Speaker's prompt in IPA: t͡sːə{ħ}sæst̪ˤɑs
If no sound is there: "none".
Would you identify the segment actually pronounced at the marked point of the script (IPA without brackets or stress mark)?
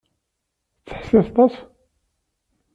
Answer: ħ